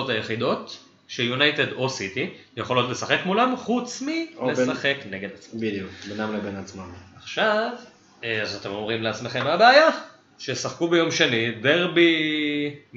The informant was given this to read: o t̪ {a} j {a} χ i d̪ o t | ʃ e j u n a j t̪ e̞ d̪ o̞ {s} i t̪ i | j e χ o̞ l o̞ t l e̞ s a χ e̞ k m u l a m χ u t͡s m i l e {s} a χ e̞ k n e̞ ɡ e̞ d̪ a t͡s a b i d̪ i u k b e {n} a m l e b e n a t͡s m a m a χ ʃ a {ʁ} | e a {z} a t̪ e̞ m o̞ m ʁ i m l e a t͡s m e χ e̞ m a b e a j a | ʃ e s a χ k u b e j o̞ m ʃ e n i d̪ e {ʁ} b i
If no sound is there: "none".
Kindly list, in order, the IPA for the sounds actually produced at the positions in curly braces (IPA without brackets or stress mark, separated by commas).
a, e, s, s, n, v, z, ʁ